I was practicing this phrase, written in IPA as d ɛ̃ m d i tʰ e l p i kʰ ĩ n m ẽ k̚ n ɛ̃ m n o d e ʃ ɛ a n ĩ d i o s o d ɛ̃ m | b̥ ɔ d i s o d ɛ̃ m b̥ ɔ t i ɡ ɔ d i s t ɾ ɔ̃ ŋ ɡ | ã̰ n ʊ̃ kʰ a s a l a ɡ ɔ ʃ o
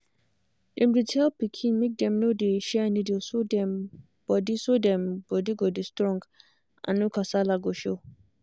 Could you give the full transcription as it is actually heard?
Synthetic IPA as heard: d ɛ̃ m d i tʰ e l p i kʰ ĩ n m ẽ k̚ d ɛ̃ m n o d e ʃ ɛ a n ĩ d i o s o d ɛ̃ m | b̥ ɔ d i s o d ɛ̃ m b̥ ɔ d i ɡ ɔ d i s t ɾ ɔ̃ ŋ ɡ | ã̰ n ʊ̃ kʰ a s a l a ɡ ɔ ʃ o